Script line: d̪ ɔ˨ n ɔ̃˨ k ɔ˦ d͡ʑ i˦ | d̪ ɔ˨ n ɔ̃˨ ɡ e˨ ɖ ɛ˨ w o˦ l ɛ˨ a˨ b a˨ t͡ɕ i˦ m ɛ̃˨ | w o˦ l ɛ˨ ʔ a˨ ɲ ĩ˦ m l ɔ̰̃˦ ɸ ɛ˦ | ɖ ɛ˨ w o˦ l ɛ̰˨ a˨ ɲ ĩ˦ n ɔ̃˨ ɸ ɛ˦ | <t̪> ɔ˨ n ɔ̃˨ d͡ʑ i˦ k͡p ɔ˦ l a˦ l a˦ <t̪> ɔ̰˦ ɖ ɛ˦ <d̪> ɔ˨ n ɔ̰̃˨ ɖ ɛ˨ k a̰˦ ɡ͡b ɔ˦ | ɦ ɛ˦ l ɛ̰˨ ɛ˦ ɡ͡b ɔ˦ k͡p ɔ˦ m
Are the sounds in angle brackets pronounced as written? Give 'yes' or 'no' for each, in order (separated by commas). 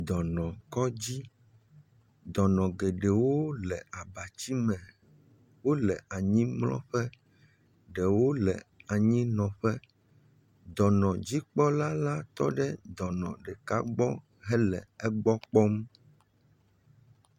no, yes, yes